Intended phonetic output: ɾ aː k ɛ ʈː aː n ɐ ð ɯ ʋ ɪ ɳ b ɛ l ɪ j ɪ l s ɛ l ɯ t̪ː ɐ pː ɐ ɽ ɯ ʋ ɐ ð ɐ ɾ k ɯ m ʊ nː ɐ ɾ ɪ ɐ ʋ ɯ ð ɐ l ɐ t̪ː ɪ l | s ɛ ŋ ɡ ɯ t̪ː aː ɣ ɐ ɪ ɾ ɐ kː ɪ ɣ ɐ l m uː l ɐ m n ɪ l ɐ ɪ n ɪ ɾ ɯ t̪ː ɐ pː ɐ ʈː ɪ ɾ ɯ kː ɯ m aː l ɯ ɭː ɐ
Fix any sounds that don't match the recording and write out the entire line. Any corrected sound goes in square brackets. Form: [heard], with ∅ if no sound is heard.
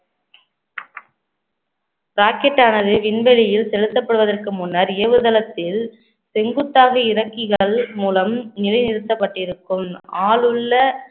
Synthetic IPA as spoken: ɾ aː k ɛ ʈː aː n ɐ ð ɯ ʋ ɪ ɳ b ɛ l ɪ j ɪ l s ɛ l ɯ t̪ː ɐ pː ɐ ɽ ɯ ʋ ɐ ð ɐ [r] k ɯ m ʊ nː ɐ ɾ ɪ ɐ ʋ ɯ ð ɐ l ɐ t̪ː ɪ l | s ɛ ŋ ɡ ɯ t̪ː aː ɣ ɐ ɪ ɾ ɐ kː ɪ ɣ ɐ [ɭ] m uː l ɐ m n ɪ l ɐ ɪ n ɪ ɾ ɯ t̪ː ɐ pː ɐ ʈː ɪ ɾ ɯ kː ɯ m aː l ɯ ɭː ɐ